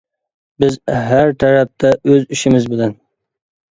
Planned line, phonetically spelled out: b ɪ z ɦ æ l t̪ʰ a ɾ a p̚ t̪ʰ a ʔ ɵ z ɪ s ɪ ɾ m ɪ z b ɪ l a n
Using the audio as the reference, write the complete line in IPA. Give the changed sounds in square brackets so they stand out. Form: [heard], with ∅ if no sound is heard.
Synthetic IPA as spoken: b ɪ z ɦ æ [ɾ] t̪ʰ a ɾ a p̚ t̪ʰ a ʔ ɵ z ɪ [ʃ] ɪ [∅] m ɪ z b ɪ l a n